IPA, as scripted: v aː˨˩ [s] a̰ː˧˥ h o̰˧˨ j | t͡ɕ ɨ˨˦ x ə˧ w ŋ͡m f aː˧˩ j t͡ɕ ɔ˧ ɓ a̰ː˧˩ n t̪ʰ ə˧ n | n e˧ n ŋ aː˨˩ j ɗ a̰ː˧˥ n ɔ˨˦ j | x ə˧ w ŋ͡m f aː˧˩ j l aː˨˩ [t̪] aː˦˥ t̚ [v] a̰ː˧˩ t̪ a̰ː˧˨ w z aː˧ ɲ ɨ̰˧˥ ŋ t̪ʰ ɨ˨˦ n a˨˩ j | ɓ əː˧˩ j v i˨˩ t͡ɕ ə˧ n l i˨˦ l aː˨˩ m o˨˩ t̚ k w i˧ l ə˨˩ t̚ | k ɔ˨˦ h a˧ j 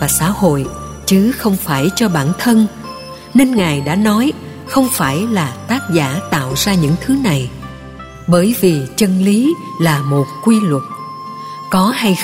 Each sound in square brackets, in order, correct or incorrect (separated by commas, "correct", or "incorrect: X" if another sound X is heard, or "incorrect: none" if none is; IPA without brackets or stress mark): correct, correct, incorrect: z